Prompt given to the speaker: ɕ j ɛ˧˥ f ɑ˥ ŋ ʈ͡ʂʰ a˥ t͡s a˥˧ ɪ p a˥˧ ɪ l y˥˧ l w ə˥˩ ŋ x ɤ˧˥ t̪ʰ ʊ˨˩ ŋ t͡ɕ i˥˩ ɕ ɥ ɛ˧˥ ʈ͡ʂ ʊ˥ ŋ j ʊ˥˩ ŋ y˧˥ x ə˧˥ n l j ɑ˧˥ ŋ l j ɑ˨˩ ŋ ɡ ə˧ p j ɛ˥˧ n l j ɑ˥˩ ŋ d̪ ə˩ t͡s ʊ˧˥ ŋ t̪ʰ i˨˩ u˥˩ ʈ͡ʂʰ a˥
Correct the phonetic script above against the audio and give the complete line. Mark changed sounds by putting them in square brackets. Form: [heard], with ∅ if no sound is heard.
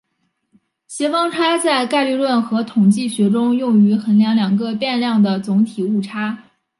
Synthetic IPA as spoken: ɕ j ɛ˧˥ f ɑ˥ ŋ ʈ͡ʂʰ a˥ t͡s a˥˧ ɪ [k] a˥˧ ɪ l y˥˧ l w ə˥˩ [n] x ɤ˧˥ t̪ʰ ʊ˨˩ ŋ t͡ɕ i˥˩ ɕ ɥ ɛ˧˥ ʈ͡ʂ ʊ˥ ŋ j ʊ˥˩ ŋ y˧˥ x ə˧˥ n l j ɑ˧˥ ŋ l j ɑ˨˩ ŋ ɡ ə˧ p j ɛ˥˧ n l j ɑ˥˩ ŋ d̪ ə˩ t͡s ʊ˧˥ ŋ t̪ʰ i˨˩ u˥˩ ʈ͡ʂʰ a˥